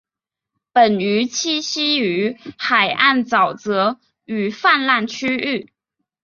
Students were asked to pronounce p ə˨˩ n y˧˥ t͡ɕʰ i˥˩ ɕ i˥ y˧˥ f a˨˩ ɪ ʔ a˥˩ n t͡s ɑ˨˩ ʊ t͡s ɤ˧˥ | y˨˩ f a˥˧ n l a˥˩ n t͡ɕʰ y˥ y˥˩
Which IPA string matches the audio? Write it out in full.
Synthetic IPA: p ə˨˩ n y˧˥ t͡ɕʰ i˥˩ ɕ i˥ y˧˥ x a˨˩ ɪ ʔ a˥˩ n t͡s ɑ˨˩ ʊ t͡s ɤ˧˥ | y˨˩ f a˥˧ n l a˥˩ n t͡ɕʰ y˥ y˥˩